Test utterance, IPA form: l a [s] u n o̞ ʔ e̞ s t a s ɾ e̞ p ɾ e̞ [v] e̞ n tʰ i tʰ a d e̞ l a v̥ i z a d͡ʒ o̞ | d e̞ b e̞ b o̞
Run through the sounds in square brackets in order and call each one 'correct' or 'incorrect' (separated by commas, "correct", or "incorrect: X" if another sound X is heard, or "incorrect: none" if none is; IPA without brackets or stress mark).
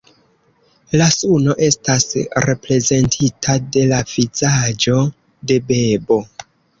correct, incorrect: z